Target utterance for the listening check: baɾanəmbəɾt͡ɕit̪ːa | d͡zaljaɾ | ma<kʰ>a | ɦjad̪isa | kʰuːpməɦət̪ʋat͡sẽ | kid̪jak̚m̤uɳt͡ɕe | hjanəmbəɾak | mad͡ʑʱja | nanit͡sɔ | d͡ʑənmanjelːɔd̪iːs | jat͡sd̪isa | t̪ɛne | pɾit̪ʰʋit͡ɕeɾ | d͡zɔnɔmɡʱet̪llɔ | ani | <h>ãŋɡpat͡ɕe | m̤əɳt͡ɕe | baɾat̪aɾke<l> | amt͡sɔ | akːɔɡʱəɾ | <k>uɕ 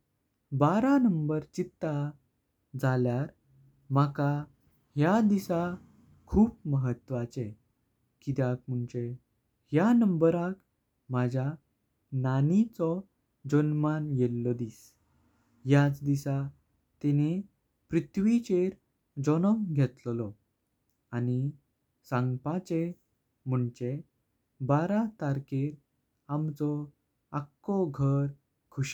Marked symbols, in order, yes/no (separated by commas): no, no, no, no